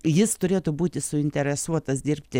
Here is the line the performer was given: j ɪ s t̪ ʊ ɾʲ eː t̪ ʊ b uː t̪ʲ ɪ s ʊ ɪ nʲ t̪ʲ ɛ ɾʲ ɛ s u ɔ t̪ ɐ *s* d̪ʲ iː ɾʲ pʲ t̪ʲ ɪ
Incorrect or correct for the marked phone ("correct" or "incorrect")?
correct